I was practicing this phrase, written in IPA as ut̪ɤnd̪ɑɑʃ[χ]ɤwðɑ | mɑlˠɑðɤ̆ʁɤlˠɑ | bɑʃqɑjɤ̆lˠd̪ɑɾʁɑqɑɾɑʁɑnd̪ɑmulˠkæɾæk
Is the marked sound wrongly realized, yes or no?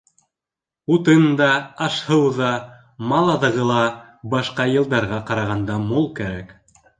yes